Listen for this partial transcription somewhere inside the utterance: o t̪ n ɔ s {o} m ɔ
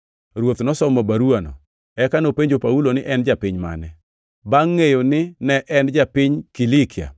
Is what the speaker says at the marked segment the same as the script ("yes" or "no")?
no